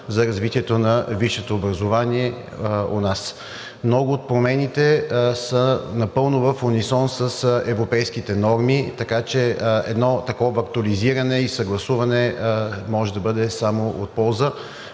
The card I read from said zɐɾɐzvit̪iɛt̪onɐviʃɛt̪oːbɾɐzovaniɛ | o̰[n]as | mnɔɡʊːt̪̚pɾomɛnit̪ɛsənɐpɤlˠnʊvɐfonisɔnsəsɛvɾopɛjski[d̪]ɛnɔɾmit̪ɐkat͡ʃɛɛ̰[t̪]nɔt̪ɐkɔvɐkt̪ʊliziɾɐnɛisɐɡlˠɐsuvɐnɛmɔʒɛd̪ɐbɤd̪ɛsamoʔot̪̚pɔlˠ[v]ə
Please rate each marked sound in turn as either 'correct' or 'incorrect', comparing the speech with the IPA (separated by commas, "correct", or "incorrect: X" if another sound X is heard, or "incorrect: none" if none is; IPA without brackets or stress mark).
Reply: correct, incorrect: t̪, incorrect: d̪, incorrect: z